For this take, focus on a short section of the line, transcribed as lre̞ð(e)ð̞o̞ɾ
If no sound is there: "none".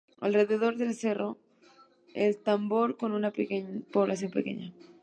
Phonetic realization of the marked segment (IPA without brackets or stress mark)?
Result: e